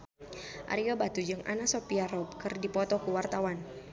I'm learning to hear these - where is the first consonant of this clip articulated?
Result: throat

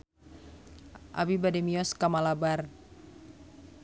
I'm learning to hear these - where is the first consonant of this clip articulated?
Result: throat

